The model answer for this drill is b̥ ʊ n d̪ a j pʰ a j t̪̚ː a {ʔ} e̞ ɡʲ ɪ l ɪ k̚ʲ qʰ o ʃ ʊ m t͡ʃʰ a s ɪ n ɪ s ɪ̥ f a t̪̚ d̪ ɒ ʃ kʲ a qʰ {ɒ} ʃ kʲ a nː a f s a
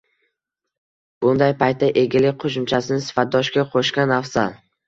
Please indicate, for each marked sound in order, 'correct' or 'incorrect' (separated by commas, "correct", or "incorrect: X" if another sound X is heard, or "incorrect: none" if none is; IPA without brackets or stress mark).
correct, incorrect: o